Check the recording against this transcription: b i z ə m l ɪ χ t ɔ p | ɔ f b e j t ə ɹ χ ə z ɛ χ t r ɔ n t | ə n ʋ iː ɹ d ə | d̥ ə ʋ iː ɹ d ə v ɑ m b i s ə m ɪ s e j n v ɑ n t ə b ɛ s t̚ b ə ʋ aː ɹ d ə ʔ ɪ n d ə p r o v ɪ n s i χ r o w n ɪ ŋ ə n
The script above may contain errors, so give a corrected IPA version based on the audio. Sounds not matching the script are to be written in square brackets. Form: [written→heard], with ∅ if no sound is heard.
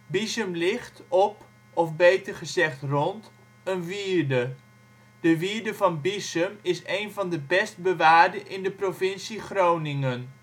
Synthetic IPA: b i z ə m l ɪ χ t ɔ p | ɔ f b e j t ə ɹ χ ə z ɛ χ t r ɔ n t | ə n ʋ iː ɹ d ə | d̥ ə ʋ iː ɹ d ə v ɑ [m→n] b i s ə m ɪ s e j n v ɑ n [t→d] ə b ɛ s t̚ b ə ʋ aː ɹ d ə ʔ ɪ n d ə p r o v ɪ n s i χ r o w n ɪ ŋ ə n